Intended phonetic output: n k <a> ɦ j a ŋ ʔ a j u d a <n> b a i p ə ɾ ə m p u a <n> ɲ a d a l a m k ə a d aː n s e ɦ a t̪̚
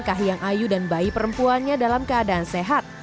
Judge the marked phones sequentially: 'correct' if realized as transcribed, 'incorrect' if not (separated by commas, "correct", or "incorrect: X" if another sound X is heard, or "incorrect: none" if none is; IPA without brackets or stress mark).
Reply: correct, correct, correct